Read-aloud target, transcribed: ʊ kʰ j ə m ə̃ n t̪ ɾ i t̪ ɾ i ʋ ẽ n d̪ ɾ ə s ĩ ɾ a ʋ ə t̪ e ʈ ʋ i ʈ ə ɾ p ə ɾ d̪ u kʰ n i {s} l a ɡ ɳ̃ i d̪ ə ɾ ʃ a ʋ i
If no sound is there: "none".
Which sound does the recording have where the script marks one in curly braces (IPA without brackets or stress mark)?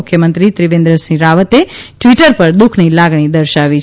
none